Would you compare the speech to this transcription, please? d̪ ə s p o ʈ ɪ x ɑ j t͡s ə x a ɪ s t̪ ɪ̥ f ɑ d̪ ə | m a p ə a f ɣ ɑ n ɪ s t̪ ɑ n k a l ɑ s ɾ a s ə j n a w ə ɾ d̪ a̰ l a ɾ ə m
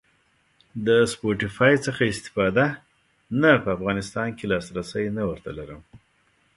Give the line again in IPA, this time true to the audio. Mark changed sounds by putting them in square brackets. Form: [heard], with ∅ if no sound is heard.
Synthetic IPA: d̪ ə s p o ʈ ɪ [f] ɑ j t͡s ə x a ɪ s t̪ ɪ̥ f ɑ d̪ [a] | [n] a p ə a f ɣ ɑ n ɪ s t̪ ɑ n k [e] l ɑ s ɾ a s ə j n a w ə ɾ [t̪] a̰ l a ɾ ə m